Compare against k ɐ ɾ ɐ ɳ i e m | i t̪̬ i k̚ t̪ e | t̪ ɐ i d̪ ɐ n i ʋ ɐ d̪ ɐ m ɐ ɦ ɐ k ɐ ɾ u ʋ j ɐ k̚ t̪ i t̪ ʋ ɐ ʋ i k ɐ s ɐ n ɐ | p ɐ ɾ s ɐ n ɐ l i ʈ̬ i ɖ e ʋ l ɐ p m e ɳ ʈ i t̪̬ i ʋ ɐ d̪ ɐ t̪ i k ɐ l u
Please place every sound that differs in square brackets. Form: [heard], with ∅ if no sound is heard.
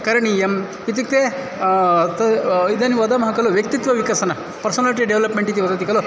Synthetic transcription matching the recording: k ɐ ɾ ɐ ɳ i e m | i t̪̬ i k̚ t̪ e | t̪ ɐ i d̪ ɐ n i ʋ ɐ d̪ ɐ m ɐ ɦ ɐ k ɐ [l] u ʋ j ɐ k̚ t̪ i t̪ ʋ ɐ ʋ i k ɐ s ɐ n ɐ | p ɐ ɾ s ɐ n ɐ l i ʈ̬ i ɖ e ʋ l ɐ p m e ɳ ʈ i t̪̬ i ʋ ɐ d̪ ɐ t̪ i k ɐ l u